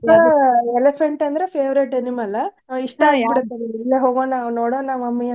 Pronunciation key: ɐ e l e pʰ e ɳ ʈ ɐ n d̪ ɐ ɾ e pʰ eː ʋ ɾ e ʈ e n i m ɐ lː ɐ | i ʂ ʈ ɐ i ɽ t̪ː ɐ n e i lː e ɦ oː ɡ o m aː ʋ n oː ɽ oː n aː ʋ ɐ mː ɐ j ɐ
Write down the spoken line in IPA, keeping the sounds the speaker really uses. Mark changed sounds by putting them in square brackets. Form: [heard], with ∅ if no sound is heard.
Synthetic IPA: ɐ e l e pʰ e ɳ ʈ ɐ n d̪ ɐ ɾ e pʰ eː ʋ ɾ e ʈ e n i m ɐ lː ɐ | i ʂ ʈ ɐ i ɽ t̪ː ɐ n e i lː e ɦ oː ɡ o [n] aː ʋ n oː ɽ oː n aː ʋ ɐ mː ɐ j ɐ